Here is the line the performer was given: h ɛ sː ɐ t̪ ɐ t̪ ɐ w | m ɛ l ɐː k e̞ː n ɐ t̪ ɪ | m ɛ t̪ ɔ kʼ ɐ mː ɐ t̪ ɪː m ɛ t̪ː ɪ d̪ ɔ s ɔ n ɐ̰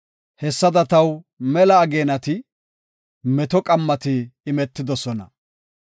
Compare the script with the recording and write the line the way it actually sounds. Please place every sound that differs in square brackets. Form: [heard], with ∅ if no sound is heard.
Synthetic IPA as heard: h ɛ sː ɐ [d̪] ɐ t̪ ɐ w | m ɛ l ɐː [ɡ] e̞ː n ɐ t̪ ɪ | m ɛ t̪ ɔ kʼ ɐ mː ɐ t̪ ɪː m ɛ t̪ː ɪ d̪ ɔ s ɔ n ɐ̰